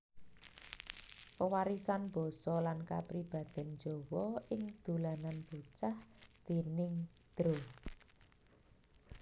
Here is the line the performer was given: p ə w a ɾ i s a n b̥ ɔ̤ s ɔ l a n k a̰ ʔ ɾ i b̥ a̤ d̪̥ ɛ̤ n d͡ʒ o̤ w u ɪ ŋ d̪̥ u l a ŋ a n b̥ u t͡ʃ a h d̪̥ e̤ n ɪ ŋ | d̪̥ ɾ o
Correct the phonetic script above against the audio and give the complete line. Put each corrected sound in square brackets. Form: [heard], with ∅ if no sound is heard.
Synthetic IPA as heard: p ə w a ɾ i s a n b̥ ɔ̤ s ɔ l a n k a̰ [p] ɾ i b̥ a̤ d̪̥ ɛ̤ n d͡ʒ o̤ w [ɔ] ɪ ŋ d̪̥ u l a [n] a n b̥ u t͡ʃ a h d̪̥ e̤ n ɪ ŋ | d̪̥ ɾ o